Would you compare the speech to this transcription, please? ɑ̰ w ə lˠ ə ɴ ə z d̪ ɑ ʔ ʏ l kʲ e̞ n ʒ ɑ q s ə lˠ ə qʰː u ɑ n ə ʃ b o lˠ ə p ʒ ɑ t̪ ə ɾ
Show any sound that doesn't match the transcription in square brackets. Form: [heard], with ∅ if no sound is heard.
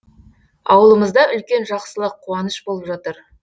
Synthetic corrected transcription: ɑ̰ w ə lˠ ə [m] ə z d̪ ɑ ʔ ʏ l kʲ e̞ n ʒ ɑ q s ə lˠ ə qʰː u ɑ n ə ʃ b o lˠ ə p ʒ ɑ t̪ ə ɾ